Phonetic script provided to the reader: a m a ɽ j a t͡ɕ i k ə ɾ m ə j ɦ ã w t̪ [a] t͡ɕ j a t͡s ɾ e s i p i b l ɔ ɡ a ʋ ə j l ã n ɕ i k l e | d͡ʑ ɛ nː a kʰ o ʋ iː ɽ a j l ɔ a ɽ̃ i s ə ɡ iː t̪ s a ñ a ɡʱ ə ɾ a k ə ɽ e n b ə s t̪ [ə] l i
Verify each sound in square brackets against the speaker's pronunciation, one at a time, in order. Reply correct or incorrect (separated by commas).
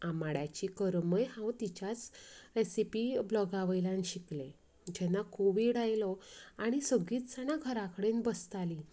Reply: incorrect, incorrect